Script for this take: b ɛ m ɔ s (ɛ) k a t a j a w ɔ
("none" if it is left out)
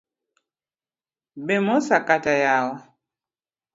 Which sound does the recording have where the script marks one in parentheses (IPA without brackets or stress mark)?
a